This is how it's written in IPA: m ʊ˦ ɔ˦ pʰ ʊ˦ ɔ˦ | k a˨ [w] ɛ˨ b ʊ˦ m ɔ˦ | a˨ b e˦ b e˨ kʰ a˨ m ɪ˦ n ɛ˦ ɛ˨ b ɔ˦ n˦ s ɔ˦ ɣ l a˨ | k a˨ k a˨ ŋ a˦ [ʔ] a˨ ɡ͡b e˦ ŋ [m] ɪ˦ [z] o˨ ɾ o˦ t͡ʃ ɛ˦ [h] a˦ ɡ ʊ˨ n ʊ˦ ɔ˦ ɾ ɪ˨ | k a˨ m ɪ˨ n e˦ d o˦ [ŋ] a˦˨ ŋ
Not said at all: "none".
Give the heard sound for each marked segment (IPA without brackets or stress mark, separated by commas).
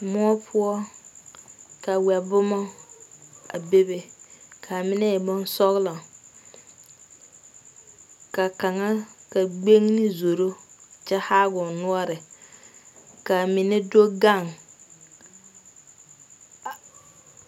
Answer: w, k, n, z, h, ɡ